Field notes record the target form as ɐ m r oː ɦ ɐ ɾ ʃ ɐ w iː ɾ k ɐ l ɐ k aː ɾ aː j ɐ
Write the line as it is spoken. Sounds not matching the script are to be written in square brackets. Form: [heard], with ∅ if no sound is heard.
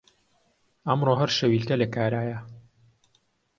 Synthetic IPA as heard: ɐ m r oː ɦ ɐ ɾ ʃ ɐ w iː [l] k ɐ l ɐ k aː ɾ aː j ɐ